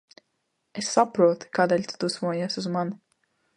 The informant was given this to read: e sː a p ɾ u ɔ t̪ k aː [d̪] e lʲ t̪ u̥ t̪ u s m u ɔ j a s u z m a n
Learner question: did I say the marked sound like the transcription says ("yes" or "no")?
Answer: yes